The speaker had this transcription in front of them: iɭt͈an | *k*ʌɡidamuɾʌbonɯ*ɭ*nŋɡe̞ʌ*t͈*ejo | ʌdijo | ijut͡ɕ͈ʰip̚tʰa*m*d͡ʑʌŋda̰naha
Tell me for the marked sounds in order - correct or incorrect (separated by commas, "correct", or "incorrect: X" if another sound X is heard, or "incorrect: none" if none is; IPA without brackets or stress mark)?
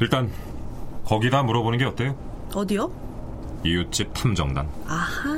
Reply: correct, incorrect: none, correct, correct